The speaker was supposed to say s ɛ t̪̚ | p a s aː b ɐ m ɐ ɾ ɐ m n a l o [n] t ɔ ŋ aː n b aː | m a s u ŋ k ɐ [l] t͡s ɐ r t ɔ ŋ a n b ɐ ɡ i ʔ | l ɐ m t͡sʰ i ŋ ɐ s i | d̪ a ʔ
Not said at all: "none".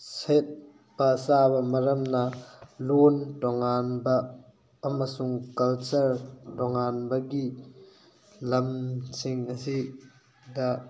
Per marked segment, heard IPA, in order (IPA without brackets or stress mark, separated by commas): n, l